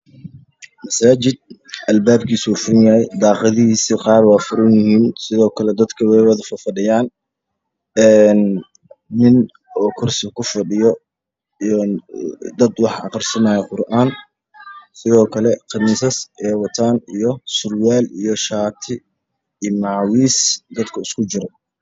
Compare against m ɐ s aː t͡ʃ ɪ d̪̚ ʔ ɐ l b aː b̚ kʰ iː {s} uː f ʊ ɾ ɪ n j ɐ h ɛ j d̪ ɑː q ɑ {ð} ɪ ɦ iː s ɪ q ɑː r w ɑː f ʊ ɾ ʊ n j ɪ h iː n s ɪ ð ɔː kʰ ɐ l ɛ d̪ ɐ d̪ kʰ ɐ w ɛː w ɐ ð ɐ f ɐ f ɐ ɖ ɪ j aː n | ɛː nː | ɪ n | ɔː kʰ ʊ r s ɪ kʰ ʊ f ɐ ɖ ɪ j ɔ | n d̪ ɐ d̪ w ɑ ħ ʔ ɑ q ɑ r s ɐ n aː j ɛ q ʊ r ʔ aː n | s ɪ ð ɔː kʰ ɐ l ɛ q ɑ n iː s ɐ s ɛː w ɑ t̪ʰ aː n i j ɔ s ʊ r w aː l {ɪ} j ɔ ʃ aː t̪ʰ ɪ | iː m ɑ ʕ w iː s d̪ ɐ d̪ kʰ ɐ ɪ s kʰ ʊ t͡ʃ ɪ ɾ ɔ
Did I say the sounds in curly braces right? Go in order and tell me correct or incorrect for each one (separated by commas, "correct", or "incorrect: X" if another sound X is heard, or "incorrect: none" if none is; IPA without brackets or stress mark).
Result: correct, correct, incorrect: i